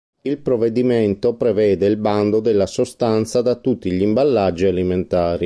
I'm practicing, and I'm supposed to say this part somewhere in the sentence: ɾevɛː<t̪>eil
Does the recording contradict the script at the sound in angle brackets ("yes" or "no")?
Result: yes